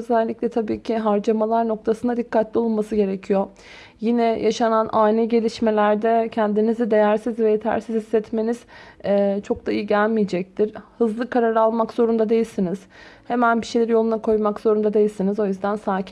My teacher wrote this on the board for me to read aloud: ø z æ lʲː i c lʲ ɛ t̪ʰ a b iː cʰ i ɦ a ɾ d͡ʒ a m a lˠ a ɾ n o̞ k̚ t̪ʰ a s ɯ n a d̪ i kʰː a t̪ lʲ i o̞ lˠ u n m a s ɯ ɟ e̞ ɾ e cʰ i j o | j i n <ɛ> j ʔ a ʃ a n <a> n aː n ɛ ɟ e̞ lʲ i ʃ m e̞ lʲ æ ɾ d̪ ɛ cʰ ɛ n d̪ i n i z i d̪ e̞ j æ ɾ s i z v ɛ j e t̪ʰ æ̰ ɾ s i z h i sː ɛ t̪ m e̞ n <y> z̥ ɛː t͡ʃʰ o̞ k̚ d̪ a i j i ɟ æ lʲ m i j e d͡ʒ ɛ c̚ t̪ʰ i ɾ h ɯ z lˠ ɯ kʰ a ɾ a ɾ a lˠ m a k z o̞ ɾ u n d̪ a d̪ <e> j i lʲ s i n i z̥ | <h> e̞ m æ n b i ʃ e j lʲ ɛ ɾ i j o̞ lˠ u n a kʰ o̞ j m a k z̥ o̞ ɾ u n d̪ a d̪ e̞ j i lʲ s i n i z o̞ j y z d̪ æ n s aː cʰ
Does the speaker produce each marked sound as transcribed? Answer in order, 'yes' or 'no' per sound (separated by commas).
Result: yes, yes, no, yes, yes